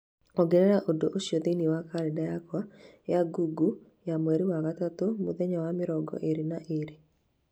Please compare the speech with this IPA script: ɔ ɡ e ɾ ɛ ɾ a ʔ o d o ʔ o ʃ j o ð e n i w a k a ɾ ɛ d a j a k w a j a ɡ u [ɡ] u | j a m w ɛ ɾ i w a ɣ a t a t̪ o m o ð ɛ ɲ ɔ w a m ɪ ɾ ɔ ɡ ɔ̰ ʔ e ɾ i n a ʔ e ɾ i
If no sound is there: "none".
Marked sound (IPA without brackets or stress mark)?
ɡ